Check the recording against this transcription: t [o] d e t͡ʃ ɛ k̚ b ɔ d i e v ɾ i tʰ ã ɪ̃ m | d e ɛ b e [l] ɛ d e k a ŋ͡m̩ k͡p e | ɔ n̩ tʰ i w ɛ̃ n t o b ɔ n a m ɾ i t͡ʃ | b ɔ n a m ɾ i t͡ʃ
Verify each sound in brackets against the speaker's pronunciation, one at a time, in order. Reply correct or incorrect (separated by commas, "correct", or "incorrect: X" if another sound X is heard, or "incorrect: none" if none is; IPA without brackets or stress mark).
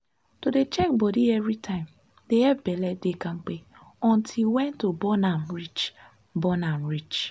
correct, correct